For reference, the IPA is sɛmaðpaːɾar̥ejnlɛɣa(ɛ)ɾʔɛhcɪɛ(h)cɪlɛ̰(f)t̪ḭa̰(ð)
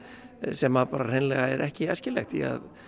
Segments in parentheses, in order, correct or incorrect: correct, incorrect, incorrect, correct

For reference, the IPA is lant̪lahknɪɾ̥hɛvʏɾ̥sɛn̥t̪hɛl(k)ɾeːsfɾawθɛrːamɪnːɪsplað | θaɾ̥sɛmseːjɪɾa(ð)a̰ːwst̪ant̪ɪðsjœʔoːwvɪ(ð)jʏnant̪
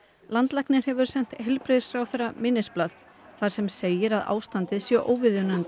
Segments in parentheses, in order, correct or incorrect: incorrect, correct, correct

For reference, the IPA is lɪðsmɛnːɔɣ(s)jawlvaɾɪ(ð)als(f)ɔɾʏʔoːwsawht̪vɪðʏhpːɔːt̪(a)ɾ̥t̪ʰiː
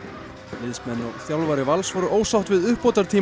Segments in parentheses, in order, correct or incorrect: incorrect, incorrect, incorrect, correct

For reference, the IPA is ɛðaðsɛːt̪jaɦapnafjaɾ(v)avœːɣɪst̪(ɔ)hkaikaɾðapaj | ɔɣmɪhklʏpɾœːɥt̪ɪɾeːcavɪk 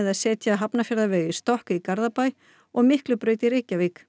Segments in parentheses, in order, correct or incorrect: incorrect, correct

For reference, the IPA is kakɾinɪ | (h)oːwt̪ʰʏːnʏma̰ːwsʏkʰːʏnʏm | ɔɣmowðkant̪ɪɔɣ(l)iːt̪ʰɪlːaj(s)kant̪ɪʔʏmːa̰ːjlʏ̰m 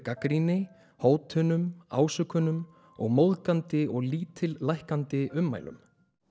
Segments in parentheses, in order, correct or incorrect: correct, correct, incorrect

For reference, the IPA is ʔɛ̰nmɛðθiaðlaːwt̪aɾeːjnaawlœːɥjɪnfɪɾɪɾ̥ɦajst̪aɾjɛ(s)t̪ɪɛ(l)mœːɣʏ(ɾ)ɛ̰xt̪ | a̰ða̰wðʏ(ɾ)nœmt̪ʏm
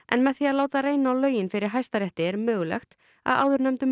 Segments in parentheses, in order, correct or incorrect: incorrect, incorrect, incorrect, correct

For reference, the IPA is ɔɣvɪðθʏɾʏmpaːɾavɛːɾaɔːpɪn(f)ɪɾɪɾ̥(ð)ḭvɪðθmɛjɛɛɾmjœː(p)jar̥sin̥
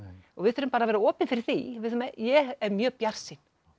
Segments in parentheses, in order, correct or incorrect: correct, incorrect, correct

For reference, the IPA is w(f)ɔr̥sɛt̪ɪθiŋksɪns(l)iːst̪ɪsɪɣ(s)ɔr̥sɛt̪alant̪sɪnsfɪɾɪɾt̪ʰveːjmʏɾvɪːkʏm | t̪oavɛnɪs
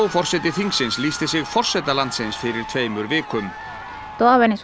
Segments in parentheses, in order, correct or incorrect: correct, correct, incorrect

